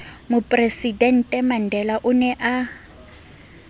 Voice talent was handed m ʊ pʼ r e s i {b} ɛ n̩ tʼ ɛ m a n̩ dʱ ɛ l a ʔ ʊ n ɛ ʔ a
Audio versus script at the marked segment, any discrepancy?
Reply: yes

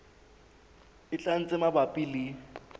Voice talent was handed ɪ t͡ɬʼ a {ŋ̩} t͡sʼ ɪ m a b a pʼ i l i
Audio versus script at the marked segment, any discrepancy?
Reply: yes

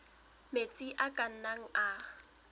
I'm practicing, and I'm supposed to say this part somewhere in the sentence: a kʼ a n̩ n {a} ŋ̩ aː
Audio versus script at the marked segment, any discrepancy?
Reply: no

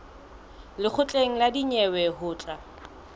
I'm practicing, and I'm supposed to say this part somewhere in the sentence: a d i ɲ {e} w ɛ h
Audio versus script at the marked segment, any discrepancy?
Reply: yes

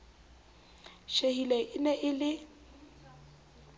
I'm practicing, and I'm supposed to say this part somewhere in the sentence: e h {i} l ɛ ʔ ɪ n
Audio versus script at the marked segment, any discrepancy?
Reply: no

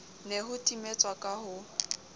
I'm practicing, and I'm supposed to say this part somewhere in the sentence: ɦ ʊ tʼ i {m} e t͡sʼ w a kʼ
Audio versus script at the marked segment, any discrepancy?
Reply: no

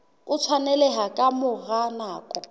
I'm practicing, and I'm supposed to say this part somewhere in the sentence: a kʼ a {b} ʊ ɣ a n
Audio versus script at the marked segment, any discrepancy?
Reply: yes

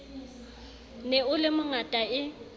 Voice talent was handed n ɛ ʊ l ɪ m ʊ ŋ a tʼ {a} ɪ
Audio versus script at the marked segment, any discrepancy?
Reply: no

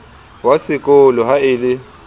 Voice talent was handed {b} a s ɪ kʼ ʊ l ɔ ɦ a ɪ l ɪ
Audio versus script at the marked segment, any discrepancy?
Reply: yes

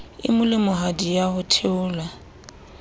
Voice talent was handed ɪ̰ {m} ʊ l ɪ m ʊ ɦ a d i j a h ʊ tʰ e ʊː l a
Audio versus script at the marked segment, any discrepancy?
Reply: no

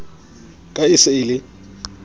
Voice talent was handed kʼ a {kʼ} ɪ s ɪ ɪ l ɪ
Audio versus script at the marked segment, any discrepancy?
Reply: yes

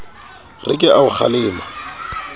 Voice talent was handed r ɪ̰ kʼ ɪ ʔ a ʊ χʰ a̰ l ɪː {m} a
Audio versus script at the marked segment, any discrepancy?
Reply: no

